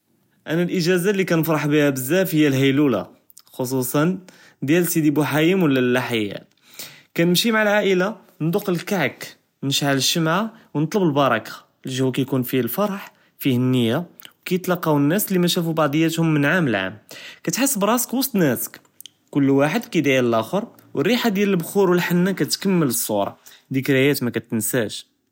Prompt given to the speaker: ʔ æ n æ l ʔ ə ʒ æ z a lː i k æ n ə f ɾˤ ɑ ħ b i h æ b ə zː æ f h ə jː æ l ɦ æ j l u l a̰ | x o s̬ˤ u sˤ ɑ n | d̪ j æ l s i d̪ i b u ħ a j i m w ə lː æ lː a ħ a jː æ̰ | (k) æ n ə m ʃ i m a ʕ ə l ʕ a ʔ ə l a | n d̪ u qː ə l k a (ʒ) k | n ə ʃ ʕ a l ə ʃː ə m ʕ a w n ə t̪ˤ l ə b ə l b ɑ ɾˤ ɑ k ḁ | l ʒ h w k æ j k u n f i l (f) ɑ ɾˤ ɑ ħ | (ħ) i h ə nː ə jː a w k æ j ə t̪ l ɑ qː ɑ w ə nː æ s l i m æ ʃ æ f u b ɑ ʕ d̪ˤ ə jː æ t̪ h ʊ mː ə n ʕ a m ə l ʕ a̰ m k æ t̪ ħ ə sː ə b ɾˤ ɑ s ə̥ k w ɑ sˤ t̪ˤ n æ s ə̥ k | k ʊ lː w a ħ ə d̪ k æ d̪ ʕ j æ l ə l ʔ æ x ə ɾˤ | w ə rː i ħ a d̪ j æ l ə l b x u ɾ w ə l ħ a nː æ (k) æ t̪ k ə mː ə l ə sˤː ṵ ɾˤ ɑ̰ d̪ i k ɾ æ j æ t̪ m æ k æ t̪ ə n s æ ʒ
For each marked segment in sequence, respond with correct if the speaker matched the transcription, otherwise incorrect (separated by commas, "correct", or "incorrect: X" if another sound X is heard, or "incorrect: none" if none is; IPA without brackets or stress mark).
correct, incorrect: ʕ, correct, incorrect: f, correct